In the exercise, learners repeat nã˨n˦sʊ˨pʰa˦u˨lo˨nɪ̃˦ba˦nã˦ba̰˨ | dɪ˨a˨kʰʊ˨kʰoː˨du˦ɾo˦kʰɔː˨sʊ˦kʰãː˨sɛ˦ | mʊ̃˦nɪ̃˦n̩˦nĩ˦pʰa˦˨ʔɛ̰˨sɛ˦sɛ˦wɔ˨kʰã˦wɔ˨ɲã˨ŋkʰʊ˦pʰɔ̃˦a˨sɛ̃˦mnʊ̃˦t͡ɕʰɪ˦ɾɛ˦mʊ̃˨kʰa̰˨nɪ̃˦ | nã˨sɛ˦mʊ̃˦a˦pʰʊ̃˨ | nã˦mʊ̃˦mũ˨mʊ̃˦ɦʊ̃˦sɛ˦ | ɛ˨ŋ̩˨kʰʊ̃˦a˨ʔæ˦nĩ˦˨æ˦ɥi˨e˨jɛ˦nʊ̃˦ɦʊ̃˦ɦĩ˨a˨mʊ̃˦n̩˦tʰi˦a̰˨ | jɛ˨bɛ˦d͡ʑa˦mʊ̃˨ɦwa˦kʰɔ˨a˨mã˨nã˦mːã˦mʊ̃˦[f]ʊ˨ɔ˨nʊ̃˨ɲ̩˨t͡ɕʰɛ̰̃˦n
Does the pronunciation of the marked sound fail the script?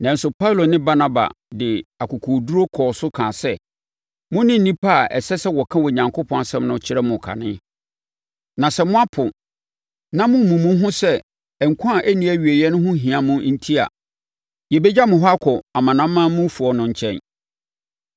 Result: no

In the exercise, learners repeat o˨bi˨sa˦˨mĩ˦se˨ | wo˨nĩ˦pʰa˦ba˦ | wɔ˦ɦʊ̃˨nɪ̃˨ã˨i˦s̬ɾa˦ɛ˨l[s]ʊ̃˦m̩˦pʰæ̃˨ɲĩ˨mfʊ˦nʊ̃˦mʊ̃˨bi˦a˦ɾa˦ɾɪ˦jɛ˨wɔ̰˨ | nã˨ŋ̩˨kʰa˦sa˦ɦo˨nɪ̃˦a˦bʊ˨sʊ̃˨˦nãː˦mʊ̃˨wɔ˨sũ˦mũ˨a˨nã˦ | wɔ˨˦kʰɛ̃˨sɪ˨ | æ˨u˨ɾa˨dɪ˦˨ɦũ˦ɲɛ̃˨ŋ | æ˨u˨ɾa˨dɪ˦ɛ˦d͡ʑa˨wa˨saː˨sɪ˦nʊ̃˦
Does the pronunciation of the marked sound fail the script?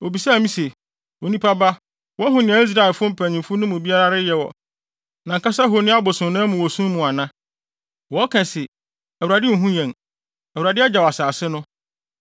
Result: yes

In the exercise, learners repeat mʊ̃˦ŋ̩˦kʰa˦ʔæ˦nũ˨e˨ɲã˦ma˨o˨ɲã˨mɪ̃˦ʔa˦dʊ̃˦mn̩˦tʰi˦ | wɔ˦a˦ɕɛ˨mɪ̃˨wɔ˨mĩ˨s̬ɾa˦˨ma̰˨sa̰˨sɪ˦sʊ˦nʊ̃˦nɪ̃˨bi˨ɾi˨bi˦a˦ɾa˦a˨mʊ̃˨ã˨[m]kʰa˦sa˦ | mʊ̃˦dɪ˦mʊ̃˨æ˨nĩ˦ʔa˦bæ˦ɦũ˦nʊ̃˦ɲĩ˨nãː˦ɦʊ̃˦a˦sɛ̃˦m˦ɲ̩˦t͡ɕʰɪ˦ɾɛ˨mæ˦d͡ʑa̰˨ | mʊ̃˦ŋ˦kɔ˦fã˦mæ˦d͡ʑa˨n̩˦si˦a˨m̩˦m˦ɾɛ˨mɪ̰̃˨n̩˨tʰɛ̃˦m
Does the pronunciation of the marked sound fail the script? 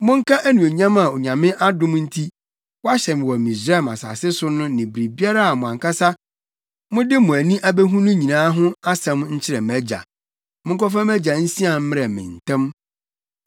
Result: yes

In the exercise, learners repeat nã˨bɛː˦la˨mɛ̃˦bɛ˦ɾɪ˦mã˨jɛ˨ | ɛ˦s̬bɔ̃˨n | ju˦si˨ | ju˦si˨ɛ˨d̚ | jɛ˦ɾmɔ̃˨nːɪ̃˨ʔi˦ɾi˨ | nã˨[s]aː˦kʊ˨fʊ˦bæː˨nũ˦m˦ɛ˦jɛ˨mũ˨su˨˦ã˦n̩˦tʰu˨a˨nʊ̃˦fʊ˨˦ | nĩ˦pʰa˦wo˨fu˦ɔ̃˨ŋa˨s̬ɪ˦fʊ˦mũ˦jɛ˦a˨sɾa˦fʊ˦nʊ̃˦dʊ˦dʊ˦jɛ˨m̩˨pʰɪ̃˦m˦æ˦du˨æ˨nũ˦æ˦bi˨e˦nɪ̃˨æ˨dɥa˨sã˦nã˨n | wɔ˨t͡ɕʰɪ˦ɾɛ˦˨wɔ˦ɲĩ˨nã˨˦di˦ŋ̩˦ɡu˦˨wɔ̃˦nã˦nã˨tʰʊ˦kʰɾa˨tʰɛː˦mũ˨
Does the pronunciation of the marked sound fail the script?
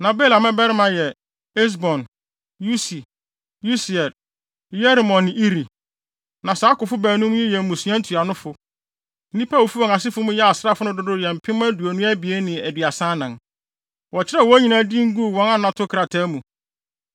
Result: no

